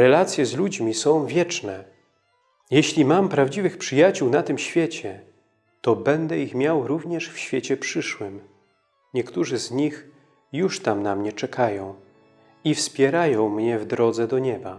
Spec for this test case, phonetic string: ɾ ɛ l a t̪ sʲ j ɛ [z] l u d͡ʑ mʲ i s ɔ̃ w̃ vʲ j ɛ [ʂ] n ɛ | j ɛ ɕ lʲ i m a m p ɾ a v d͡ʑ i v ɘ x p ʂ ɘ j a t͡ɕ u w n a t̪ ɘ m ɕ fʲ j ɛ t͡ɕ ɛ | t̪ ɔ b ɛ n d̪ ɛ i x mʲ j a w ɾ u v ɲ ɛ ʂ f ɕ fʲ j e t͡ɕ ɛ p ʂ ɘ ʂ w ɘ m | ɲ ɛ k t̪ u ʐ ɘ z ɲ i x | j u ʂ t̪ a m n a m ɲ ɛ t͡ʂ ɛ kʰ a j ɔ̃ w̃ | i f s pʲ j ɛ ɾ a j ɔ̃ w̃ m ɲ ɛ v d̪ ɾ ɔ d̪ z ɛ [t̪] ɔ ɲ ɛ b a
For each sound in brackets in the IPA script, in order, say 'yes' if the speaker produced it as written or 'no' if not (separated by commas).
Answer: yes, no, no